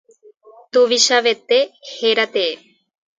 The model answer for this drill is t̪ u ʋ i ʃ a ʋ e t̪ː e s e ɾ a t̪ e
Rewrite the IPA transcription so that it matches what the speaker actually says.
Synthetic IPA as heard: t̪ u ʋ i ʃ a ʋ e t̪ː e h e ɾ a t̪ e